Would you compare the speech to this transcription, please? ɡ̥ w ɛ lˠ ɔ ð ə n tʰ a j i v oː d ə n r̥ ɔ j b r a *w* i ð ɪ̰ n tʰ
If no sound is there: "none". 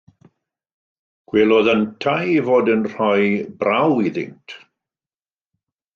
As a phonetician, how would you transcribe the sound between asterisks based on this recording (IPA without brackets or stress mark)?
w